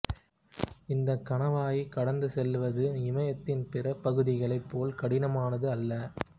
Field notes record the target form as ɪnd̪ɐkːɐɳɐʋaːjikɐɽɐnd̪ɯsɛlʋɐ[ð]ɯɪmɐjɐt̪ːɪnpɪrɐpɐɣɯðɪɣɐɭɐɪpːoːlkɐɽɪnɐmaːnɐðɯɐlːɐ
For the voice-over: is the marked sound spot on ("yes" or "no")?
yes